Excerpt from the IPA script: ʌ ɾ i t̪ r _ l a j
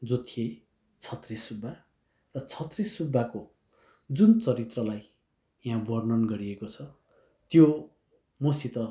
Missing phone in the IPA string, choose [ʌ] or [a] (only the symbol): ʌ